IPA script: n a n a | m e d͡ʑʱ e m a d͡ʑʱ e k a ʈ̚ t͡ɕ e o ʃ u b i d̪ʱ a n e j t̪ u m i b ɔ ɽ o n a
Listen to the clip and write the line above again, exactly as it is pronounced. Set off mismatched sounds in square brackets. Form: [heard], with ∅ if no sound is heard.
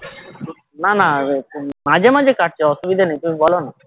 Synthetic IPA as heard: n a n a | m [a] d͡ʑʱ e m a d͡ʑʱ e k a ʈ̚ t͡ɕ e [ɔ] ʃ u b i d̪ʱ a n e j t̪ u m i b ɔ [l] o n a